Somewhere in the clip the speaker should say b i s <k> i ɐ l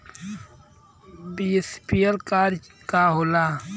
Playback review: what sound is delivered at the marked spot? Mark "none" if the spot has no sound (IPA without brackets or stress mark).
p